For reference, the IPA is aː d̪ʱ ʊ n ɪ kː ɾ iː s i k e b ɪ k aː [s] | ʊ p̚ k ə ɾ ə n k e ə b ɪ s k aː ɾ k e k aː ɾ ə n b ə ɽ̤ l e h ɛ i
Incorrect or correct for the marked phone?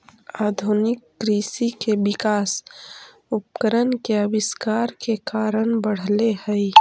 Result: correct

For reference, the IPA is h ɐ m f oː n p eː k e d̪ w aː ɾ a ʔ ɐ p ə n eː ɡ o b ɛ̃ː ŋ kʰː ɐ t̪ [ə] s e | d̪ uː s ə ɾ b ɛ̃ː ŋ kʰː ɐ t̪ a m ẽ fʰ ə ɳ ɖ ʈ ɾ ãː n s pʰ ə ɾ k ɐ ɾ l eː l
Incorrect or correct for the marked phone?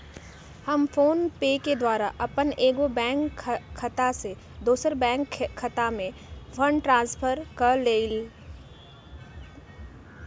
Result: incorrect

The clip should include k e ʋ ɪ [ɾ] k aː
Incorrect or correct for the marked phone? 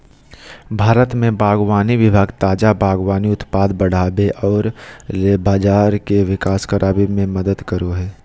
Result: incorrect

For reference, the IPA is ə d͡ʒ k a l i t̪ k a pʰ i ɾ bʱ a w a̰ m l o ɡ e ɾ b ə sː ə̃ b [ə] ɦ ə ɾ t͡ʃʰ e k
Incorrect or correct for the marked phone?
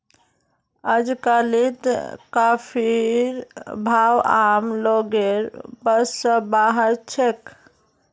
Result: incorrect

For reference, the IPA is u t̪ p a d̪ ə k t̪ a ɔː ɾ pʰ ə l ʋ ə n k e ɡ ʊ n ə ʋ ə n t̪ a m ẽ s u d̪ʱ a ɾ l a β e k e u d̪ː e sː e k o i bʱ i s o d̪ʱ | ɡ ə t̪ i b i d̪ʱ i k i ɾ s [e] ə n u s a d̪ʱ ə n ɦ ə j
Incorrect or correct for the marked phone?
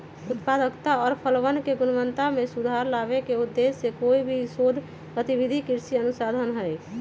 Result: incorrect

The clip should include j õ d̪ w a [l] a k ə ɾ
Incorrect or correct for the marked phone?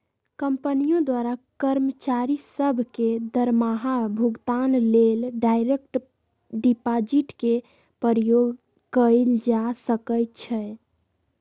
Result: incorrect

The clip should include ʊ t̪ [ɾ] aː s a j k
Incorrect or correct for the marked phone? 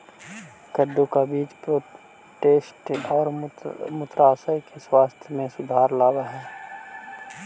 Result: correct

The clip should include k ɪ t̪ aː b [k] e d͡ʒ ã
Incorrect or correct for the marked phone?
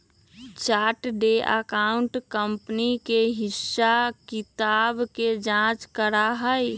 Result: correct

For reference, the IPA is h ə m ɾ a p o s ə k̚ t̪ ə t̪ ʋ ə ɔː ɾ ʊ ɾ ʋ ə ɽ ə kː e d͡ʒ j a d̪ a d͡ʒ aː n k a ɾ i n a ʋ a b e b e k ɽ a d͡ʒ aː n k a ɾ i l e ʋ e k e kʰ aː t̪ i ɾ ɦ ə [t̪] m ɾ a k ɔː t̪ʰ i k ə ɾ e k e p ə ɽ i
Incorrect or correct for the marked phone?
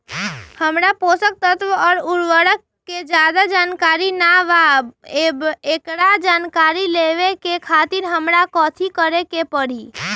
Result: incorrect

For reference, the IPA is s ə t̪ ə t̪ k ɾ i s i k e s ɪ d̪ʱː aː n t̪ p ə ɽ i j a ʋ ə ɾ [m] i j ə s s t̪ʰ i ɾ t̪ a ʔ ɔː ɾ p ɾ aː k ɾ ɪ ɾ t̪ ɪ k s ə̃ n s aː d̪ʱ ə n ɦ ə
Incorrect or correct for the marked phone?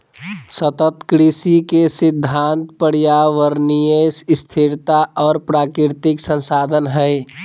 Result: incorrect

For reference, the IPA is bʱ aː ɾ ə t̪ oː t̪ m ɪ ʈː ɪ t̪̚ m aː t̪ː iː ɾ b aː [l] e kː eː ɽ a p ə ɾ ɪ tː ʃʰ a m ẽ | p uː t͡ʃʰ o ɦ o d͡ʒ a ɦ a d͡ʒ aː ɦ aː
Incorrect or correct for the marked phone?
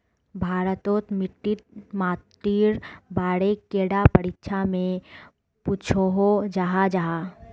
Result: incorrect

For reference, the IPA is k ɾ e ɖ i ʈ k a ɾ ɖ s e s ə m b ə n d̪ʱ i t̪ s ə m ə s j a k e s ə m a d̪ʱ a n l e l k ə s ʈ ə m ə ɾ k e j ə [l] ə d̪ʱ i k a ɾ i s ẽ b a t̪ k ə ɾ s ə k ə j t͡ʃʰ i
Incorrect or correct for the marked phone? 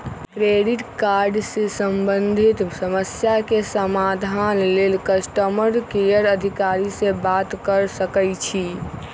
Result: incorrect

